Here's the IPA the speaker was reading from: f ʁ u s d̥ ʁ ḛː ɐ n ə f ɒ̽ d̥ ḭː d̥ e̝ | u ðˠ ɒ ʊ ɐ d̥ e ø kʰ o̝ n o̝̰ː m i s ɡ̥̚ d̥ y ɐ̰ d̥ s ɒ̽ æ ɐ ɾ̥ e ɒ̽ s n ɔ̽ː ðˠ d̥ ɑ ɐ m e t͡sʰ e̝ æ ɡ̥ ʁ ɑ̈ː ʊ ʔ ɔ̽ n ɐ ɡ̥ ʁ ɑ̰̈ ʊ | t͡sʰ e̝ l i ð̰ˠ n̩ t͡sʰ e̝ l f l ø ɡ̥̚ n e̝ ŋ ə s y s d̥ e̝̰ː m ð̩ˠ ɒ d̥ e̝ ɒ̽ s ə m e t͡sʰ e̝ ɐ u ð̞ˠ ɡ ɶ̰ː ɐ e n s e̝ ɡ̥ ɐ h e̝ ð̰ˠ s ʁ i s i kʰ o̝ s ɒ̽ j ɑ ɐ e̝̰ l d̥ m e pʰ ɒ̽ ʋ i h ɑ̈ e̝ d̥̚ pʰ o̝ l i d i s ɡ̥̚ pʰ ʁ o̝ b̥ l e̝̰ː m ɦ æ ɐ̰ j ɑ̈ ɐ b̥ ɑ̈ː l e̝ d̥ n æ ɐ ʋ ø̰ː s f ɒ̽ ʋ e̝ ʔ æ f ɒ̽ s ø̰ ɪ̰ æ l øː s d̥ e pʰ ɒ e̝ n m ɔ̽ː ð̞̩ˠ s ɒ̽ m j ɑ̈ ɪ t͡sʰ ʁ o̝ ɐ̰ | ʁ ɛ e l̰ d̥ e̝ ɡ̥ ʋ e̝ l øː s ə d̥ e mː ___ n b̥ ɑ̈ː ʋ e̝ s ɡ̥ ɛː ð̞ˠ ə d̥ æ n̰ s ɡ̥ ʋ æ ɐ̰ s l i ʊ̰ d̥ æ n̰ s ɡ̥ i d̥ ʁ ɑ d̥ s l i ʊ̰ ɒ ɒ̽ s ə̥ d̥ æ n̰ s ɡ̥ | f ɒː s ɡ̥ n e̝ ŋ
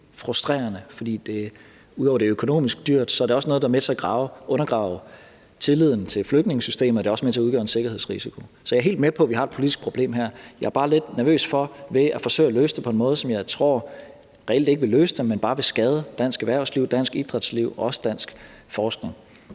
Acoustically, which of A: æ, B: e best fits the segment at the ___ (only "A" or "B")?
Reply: B